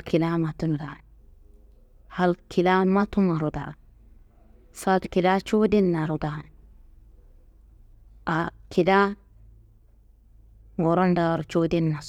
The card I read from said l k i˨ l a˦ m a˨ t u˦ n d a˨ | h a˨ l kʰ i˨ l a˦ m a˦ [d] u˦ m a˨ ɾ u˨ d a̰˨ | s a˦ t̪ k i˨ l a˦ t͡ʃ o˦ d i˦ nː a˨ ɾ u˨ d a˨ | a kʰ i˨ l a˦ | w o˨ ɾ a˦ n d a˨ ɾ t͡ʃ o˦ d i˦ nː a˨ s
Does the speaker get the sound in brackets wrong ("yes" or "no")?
yes